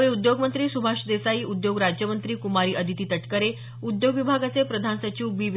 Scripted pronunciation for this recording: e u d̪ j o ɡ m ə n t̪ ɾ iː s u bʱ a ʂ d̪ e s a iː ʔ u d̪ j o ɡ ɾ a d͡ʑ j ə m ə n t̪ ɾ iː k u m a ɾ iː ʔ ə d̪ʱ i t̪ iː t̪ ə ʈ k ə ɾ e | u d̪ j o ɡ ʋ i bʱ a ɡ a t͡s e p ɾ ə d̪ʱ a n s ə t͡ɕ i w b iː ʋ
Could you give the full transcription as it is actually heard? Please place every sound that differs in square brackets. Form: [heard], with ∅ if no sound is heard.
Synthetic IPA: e u d̪ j o ɡ m ə n t̪ ɾ iː s u bʱ a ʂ d̪ e s a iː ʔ u d̪ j o ɡ ɾ a d͡ʑ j ə m ə n t̪ ɾ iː k u m a ɾ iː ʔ ə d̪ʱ i t̪ iː t̪ ə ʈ k ə ɾ e | u d̪ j o ɡ ʋ i bʱ a ɡ a t͡s e p ɾ ə d̪ʱ a n s ə t͡ɕ i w b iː ʋ